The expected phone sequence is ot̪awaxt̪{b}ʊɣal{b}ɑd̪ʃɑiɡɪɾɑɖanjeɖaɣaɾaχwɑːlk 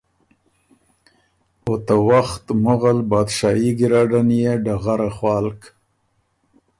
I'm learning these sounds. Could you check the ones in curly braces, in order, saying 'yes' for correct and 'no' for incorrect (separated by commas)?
no, yes